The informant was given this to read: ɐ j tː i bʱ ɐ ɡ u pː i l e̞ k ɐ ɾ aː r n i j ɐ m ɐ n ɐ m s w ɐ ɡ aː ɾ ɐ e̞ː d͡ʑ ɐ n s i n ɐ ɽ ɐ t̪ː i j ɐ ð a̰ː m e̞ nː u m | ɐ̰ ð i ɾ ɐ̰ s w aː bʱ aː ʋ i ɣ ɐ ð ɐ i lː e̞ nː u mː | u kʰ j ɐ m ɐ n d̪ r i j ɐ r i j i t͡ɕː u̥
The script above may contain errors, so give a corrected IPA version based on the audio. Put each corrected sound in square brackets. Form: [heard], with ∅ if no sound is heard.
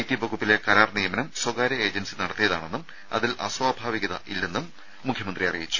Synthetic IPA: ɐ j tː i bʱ ɐ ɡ u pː i l e̞ k ɐ ɾ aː r n i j ɐ m ɐ n ɐ m s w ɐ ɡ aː ɾ ɐ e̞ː d͡ʑ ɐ n s i n ɐ ɽ ɐ t̪ː i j ɐ ð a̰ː [ɳ] e̞ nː u m | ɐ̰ ð i [l] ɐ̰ s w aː bʱ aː ʋ i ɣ ɐ ð ɐ i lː e̞ nː u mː | u kʰ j ɐ m ɐ n d̪ r i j ɐ r i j i t͡ɕː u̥